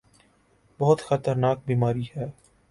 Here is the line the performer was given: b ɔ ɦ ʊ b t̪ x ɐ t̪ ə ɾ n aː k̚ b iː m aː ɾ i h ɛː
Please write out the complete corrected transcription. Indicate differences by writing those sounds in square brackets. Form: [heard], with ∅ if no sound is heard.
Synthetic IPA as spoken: b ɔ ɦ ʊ [∅] t̪ x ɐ t̪ ə ɾ n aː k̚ b iː m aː ɾ i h ɛː

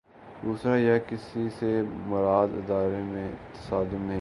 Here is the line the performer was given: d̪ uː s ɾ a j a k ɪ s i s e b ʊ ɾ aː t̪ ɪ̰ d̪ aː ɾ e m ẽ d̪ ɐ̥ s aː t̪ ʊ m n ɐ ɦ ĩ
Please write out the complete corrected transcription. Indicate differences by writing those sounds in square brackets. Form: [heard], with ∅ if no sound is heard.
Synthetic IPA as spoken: d̪ uː s ɾ a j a k ɪ s i s e [m] ʊ ɾ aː [d̪] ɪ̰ d̪ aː ɾ e m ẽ [t̪] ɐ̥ s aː [d̪] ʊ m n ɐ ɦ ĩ

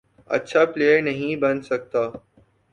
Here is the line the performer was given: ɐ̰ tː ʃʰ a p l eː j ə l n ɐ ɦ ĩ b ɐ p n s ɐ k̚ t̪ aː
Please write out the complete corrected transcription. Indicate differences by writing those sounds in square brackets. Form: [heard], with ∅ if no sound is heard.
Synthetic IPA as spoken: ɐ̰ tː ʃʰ a p l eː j ə [ɾ] n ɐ ɦ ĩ b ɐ [∅] n s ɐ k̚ t̪ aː

